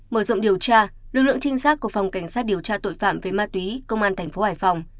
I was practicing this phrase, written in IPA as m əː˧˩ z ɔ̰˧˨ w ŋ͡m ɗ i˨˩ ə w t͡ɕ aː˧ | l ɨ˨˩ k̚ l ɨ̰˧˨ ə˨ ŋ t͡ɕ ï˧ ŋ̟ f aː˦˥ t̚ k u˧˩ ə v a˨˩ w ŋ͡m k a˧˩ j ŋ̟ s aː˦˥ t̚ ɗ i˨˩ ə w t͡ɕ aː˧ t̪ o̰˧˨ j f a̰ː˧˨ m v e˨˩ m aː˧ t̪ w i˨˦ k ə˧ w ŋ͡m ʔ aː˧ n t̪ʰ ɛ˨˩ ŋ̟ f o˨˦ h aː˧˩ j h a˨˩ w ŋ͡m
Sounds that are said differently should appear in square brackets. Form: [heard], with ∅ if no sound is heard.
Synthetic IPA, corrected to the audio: m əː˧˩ z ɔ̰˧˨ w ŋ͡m ɗ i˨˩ ə w t͡ɕ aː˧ | l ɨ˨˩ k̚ l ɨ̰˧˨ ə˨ ŋ t͡ɕ ï˧ ŋ̟ [s] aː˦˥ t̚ k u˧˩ ə [f] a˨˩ w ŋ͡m k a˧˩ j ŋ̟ s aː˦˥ t̚ ɗ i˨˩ ə w t͡ɕ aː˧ t̪ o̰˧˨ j f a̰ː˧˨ m v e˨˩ m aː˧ t̪ w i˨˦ k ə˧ w ŋ͡m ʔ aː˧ n t̪ʰ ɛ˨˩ ŋ̟ f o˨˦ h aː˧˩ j [f] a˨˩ w ŋ͡m